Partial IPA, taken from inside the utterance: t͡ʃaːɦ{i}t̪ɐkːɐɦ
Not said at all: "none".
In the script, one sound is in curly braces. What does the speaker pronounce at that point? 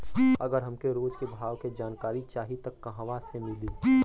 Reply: i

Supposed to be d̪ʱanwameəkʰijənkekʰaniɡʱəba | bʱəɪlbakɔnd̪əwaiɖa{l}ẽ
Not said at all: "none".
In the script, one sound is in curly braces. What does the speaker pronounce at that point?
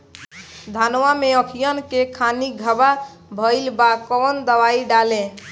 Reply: l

